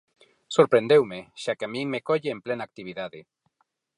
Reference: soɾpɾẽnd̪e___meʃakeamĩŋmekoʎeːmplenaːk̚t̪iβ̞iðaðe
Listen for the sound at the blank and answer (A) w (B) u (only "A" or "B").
A